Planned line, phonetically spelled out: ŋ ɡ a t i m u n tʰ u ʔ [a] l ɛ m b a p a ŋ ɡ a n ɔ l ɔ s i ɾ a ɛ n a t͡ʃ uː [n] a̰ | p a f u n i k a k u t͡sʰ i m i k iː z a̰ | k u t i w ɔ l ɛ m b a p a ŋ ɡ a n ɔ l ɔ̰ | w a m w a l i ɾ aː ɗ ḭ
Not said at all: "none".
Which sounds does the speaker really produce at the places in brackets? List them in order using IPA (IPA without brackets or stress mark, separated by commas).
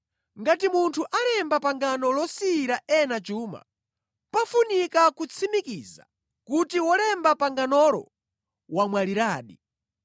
a, m